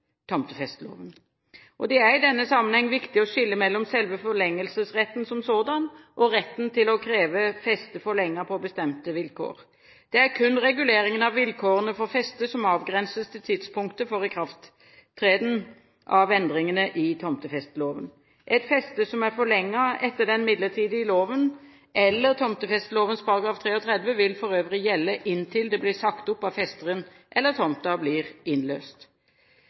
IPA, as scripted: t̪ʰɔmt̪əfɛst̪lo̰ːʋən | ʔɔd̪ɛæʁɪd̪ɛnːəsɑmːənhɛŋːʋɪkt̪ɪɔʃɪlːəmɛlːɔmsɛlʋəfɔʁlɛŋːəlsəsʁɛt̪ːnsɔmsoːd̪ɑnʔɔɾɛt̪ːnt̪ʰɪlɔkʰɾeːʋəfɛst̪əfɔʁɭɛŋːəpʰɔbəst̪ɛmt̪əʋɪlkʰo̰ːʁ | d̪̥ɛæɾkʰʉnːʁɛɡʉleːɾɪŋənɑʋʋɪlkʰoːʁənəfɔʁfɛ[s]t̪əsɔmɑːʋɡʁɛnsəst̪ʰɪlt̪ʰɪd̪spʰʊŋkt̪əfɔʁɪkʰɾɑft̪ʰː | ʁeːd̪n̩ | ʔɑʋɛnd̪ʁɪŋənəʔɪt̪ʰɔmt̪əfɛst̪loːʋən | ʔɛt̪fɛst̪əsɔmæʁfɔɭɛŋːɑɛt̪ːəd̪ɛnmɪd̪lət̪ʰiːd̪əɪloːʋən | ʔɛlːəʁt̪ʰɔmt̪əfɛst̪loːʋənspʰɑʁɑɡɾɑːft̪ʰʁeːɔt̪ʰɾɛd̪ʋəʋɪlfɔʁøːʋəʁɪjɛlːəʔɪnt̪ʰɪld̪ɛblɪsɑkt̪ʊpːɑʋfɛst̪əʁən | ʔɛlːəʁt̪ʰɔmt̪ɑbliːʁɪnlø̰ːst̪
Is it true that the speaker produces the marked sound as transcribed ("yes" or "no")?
yes